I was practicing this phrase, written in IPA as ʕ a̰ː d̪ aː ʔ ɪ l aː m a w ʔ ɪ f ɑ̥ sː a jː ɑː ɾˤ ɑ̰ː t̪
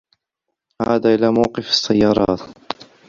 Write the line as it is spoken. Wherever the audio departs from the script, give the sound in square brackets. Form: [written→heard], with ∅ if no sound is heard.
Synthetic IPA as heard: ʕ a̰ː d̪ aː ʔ ɪ l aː m a w [ʔ→q] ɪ f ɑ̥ sː a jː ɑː ɾˤ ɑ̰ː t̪